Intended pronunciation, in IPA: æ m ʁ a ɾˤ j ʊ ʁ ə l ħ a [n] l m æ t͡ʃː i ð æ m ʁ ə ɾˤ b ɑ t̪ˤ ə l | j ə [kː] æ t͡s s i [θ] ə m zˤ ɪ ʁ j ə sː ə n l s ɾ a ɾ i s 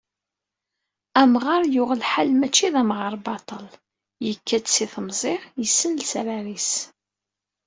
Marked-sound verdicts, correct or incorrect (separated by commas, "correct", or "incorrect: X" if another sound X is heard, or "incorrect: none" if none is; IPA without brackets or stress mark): incorrect: none, correct, correct